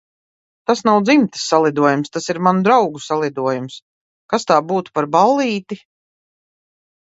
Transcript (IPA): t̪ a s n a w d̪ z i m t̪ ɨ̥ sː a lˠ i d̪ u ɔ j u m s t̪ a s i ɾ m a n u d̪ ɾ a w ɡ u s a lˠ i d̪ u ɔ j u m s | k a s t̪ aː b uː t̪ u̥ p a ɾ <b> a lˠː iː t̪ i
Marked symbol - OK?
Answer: yes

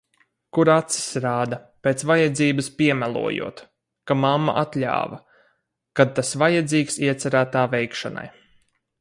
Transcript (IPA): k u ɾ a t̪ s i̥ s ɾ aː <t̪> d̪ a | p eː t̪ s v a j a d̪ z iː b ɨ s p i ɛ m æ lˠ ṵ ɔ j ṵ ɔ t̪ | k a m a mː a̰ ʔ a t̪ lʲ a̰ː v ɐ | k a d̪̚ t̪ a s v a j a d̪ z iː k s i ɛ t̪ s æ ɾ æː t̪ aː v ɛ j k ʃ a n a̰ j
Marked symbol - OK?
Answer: no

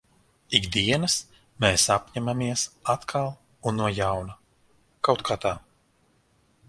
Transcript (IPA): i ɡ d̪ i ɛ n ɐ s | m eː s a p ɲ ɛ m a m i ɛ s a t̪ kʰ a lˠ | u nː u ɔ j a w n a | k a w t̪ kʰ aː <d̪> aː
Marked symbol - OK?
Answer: no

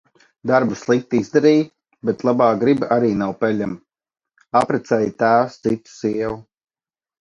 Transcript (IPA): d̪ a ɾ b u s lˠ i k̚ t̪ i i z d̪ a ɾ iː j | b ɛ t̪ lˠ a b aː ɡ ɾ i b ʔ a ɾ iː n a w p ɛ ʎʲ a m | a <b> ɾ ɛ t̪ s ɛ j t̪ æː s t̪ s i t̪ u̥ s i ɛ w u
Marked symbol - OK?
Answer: no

